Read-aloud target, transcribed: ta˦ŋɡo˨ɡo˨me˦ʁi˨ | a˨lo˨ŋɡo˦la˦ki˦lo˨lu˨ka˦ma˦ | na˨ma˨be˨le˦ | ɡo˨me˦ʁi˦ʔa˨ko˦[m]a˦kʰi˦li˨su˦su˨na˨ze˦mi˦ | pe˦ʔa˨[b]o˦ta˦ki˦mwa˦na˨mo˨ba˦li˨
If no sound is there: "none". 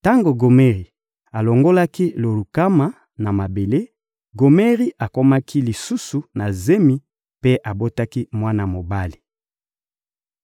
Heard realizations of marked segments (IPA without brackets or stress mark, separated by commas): m, b